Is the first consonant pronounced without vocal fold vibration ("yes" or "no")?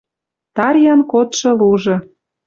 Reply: yes